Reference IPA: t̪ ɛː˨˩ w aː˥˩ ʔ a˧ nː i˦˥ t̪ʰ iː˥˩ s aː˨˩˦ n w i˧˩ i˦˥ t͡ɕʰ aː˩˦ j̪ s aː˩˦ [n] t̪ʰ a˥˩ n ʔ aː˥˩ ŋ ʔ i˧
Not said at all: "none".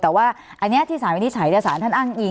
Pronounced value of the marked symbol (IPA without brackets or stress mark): n